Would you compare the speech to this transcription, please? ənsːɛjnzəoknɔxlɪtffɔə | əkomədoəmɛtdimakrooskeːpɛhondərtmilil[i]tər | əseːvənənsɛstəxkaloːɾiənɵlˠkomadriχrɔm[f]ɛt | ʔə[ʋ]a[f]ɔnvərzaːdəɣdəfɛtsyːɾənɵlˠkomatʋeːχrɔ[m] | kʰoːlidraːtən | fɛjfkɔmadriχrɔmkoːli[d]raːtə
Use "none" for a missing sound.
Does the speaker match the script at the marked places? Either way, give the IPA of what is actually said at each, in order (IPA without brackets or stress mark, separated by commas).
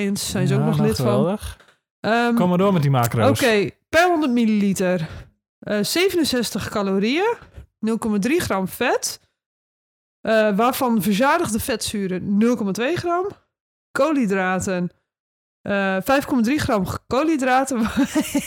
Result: i, f, ʋ, f, m, d